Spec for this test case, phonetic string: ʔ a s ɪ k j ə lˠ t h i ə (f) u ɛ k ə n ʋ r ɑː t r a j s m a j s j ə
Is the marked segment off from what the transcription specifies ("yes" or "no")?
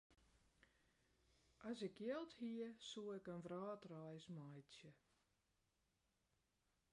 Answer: yes